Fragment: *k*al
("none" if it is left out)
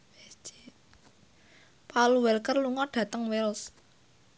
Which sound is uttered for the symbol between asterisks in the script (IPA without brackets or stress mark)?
p